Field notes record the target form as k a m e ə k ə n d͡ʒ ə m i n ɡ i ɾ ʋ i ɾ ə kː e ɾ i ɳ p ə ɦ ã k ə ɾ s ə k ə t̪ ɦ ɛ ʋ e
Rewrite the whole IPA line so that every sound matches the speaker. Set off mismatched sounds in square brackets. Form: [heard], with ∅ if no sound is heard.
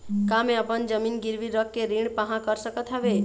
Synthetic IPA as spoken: k a m e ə [p] ə n d͡ʒ ə m i n ɡ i ɾ ʋ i ɾ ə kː e ɾ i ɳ p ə ɦ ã k ə ɾ s ə k ə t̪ ɦ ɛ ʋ e